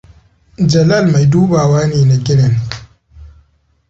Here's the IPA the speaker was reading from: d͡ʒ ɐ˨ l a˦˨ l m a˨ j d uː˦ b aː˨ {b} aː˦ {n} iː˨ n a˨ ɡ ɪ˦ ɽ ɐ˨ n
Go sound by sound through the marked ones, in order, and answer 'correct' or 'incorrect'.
incorrect: w, correct

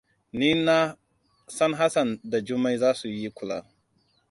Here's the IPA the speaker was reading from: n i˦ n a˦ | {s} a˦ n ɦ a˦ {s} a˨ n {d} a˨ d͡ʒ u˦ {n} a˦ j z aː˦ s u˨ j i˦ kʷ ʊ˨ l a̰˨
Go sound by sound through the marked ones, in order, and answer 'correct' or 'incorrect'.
correct, correct, correct, incorrect: m

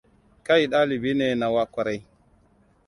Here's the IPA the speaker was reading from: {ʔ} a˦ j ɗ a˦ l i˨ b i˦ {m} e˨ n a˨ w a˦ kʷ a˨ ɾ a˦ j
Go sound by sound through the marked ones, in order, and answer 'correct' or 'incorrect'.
incorrect: k, incorrect: n

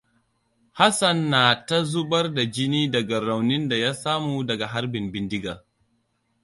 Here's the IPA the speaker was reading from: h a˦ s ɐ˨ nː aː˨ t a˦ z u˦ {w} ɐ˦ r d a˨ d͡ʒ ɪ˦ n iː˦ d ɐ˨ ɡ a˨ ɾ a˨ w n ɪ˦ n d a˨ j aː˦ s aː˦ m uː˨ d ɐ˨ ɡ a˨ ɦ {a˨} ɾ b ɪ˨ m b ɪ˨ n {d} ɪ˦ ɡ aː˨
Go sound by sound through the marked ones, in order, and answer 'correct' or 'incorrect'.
incorrect: b, incorrect: a˦, correct

